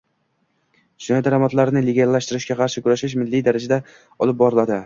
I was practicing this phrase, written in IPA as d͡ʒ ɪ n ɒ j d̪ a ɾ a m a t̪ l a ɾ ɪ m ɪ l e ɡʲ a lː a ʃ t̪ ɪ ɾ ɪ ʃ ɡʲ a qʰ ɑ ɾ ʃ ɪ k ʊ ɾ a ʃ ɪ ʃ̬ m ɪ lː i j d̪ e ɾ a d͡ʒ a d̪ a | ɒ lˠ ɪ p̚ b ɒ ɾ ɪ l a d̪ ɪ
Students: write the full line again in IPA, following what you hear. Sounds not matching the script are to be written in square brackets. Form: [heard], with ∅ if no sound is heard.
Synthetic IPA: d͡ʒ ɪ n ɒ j d̪ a ɾ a m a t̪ l a ɾ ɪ [n] ɪ l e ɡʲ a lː a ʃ t̪ ɪ ɾ ɪ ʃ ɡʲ a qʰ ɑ ɾ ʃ ɪ k ʊ ɾ a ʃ ɪ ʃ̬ m ɪ lː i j d̪ [a] ɾ a d͡ʒ a d̪ a | ɒ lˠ ɪ p̚ b ɒ ɾ ɪ l a d̪ ɪ